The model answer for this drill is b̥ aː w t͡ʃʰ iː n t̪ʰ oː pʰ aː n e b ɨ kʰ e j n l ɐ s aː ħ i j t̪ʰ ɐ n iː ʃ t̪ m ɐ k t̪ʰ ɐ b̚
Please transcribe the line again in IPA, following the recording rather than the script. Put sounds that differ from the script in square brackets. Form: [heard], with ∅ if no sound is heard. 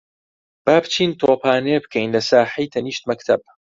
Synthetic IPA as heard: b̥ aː [b] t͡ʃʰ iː n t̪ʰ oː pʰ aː n e b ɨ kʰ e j n l ɐ s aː ħ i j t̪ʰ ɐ n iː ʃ t̪ m ɐ k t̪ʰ ɐ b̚